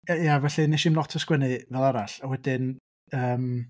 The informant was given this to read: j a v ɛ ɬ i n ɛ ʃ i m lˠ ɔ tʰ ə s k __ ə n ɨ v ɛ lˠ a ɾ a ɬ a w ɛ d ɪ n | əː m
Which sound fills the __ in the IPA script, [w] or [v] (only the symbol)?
w